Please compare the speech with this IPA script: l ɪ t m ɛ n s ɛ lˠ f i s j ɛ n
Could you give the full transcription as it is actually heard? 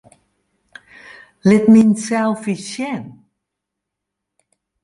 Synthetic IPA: l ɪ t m i n s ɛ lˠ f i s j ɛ n